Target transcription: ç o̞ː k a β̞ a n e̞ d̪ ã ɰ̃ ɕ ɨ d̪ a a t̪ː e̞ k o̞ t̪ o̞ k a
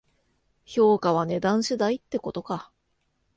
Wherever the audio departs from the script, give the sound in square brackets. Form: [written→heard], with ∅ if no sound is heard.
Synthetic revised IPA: ç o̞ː k a β̞ a n e̞ d̪ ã ɰ̃ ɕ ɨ d̪ a [a→i] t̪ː e̞ k o̞ t̪ o̞ k a